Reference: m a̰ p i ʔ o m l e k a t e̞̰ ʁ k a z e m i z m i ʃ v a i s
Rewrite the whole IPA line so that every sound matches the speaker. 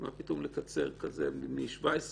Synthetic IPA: m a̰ p i t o m l e k a t͡s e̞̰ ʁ k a z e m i m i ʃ v a e s